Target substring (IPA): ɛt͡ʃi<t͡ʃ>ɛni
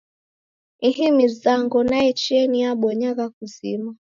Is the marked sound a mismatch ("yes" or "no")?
yes